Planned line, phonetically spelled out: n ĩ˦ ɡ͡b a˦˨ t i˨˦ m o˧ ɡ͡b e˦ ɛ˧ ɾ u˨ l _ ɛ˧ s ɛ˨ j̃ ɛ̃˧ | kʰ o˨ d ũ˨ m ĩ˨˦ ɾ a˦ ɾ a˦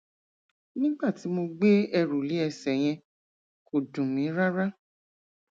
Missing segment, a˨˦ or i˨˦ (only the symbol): i˨˦